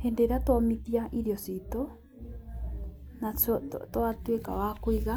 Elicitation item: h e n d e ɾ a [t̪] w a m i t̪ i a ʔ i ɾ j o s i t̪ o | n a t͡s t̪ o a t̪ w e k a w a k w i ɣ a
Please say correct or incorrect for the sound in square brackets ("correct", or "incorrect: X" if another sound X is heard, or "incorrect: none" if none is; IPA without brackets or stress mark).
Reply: correct